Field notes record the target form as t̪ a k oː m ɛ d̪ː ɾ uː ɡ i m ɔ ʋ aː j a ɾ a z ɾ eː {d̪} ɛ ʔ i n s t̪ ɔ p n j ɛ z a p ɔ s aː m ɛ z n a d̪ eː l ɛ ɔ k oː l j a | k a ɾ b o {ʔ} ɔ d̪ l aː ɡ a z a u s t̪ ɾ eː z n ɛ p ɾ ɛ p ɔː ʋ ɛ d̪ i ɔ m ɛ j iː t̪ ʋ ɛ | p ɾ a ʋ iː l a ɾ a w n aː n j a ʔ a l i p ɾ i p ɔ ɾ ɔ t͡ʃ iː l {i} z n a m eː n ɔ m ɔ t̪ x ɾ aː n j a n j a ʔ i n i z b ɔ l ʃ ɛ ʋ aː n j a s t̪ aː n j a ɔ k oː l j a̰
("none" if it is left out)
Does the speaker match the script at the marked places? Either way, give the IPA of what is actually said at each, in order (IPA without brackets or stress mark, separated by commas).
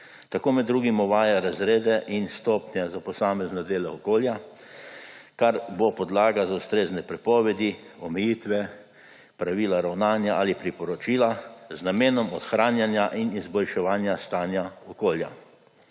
d̪, p, a